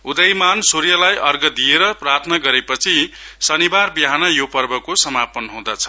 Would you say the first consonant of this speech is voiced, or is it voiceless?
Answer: voiced